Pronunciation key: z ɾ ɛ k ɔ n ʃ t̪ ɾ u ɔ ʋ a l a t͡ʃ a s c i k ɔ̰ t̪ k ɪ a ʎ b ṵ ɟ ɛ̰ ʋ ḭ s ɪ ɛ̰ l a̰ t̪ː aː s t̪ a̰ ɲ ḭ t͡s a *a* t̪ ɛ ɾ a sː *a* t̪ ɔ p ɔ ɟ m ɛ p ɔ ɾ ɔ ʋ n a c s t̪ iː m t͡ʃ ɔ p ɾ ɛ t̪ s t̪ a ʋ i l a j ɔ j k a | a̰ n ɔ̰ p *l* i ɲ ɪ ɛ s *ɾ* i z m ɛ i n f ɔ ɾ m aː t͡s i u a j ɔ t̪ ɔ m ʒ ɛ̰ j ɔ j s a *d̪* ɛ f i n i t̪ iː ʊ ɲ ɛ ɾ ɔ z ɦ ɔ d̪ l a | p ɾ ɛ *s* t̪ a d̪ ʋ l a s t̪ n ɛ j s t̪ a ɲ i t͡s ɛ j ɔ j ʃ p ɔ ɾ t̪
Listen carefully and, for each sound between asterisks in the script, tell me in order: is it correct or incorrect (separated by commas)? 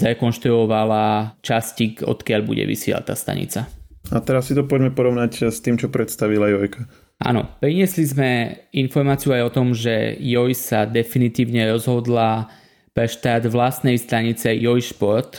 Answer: correct, incorrect, incorrect, incorrect, correct, incorrect